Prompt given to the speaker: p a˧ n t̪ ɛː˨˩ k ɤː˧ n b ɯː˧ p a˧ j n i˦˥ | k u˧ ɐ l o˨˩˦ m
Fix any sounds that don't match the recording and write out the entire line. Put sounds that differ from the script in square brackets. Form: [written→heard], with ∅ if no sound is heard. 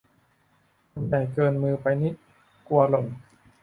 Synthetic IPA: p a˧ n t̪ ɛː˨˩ k ɤː˧ n [b→m] ɯː˧ p a˧ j n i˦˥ | k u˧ ɐ l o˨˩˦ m